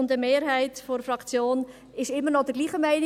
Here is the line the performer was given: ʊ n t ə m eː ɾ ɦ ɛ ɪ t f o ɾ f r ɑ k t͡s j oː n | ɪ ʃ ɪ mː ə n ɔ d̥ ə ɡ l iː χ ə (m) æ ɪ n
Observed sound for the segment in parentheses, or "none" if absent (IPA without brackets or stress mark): m